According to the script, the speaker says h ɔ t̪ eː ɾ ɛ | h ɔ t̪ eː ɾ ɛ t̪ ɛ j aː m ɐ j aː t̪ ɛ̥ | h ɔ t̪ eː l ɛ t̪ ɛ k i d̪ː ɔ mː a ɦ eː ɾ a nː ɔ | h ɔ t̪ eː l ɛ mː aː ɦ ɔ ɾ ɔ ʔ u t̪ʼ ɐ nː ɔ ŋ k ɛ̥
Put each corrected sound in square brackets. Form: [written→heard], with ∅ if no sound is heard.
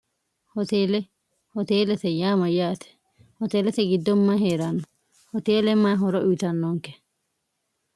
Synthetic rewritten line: h ɔ t̪ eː [ɾ→l] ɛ | h ɔ t̪ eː [ɾ→l] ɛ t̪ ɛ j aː m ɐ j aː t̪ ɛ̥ | h ɔ t̪ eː l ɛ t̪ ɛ [k→ɡ] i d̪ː ɔ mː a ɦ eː ɾ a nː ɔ | h ɔ t̪ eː l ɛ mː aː ɦ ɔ ɾ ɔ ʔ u [t̪ʼ→t̪] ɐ nː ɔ ŋ k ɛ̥